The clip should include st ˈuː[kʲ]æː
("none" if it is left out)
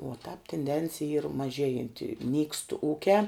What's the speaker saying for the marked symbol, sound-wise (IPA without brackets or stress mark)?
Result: kʲ